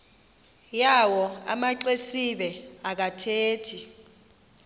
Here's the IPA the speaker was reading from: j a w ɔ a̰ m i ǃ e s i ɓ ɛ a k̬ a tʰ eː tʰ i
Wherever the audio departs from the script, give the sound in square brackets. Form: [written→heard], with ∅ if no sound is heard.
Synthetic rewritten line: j a w ɔ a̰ m [i→a] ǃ e s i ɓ ɛ a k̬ a tʰ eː tʰ i